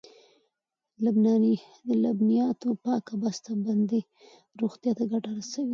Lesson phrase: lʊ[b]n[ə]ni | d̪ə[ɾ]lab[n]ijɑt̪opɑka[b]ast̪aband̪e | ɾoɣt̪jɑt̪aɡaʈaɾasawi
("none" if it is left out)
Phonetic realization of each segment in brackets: b, ɑ, none, n, b

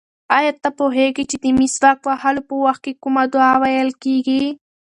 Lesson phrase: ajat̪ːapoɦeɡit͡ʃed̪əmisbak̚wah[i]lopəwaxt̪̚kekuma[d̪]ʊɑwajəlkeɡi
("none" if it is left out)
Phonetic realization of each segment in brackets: a, d̪

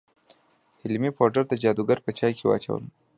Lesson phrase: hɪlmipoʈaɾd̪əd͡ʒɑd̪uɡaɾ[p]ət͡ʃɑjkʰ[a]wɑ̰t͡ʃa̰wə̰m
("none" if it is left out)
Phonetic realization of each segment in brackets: p, e

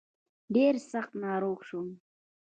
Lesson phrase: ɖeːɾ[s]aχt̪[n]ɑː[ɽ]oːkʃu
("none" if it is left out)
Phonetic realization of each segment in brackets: s, n, ɾ

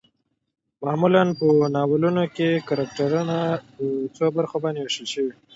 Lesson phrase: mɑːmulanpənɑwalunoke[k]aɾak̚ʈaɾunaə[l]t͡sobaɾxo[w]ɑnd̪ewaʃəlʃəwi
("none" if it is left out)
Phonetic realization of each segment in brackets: k, none, b

